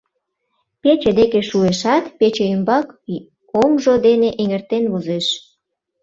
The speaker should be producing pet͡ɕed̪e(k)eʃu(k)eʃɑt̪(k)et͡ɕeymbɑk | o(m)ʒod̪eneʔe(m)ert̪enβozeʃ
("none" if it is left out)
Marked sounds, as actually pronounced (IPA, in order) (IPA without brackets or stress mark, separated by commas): k, none, p, m, ŋ